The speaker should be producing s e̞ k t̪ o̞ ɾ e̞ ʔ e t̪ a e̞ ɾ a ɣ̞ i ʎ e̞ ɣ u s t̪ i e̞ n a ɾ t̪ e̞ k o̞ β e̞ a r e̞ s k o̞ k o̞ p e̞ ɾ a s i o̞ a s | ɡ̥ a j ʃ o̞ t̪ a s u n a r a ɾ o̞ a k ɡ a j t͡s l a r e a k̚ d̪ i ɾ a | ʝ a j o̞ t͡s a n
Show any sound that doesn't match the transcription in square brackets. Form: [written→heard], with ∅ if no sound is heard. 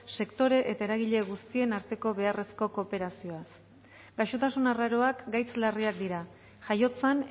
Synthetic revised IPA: s e̞ k t̪ o̞ ɾ e̞ ʔ e t̪ a e̞ ɾ a ɣ̞ i ʎ e̞ ɣ u s t̪ i e̞ n a ɾ t̪ e̞ k o̞ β e̞ a r e̞ s k o̞ k o̞ p e̞ ɾ a s i o̞ a s | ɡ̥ a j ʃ o̞ t̪ a s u n a r a ɾ o̞ a k ɡ a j t͡s l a r [e→i] a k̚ d̪ i ɾ a | ʝ a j o̞ t͡s a n